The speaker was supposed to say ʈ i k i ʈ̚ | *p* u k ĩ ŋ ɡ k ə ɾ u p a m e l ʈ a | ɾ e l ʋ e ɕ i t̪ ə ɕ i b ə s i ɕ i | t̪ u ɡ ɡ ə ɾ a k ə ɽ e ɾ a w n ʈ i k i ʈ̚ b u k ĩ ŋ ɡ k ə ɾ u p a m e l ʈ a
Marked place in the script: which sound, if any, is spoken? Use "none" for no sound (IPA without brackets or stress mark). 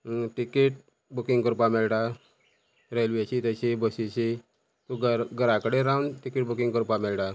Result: b